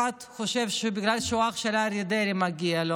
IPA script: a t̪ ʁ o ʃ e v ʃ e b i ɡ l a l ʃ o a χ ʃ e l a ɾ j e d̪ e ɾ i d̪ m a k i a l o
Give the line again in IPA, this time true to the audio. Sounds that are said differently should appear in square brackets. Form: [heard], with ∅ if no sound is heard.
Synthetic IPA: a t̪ [χ] o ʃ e v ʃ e b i ɡ l a l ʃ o a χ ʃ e l a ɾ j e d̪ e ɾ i [∅] m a [ɡ] i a l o

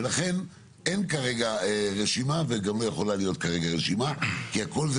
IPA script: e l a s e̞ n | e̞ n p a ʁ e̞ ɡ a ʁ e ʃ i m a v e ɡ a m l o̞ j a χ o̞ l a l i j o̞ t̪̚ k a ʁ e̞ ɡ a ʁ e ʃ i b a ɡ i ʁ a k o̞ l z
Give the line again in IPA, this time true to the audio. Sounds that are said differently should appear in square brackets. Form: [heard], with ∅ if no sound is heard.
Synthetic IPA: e l a [χ] e̞ n | e̞ n [k] a ʁ e̞ ɡ a ʁ e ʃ i m a v e ɡ a m l o̞ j [e] χ o̞ l a l i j o̞ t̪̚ k a ʁ e̞ ɡ a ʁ e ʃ i [m] a [k] i [∅] a k o̞ l z

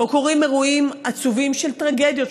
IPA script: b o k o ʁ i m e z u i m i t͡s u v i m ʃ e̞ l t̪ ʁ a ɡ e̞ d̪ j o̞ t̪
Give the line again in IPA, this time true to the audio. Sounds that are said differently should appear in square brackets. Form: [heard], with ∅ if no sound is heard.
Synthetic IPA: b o k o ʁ i m e [ʁ] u i m [a] t͡s u v i m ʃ e̞ l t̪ ʁ a ɡ e̞ d̪ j o̞ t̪

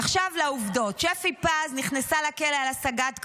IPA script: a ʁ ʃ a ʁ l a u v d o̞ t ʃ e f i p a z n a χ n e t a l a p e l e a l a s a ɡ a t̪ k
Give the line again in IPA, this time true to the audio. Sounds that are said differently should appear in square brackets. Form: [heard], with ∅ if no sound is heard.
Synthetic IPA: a [χ] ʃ a [v] l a u v d o̞ t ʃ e f i p a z n [i] χ n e [s] a l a [k] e l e a l a s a ɡ a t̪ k

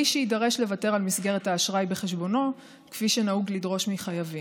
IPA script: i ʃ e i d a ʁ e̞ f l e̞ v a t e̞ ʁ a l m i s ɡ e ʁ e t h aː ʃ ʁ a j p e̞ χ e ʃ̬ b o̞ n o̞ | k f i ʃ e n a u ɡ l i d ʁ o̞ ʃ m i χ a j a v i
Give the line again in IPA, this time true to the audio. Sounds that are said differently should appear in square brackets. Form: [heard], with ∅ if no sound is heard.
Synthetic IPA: i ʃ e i d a ʁ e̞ [ʃ] l e̞ v a t e̞ ʁ a l m i s ɡ e ʁ e t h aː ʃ ʁ a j [b] e̞ χ e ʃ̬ b o̞ n o̞ | k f i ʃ e n a u ɡ l i d ʁ o̞ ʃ m i χ a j a v i

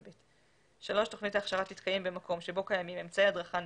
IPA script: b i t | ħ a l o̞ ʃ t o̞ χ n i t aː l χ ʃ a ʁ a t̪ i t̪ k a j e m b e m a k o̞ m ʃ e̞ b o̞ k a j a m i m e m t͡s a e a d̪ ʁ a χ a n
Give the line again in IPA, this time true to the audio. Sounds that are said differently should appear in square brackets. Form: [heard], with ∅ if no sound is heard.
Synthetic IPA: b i t | [ʃ] a l o̞ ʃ t o̞ χ n i t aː [∅] χ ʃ a ʁ a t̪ i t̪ k a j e m b e m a k o̞ m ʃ e̞ b o̞ k a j a m i m e m t͡s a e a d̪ ʁ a χ a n

